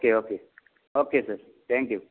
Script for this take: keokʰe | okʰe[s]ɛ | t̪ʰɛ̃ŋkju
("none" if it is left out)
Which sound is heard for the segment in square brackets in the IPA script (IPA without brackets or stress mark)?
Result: s